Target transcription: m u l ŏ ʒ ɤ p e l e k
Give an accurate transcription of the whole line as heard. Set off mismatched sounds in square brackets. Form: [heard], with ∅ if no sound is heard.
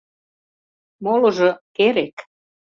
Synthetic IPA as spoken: m [o] l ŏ ʒ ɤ [k] e [ɾ] e k